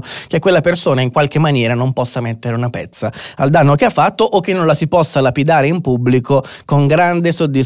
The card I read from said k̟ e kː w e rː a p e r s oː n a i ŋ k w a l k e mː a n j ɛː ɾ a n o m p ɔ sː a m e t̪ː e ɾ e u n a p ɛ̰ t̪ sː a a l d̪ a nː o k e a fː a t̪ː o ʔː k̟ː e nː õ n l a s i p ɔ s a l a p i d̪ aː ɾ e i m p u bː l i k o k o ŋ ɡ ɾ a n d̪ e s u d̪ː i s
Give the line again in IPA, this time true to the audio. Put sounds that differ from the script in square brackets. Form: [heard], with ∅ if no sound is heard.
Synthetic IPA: k̟ e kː w e [lː] a p e r s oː n a i ŋ k w a l k e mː a n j ɛː ɾ a n o m p ɔ sː a m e t̪ː e ɾ e u n a p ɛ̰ t̪ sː a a l d̪ a nː o k e a fː a t̪ː o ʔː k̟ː e nː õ n l a s i p ɔ [sː] a l a p i d̪ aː ɾ e i m p u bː l i k o k o ŋ ɡ ɾ a n d̪ e s [o] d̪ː i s